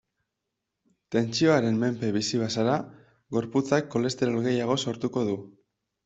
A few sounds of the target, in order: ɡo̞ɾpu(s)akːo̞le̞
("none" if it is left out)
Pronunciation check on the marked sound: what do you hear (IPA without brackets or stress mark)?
t͡s